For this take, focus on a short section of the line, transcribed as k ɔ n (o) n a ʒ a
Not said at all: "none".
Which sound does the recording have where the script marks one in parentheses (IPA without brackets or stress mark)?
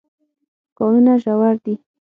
u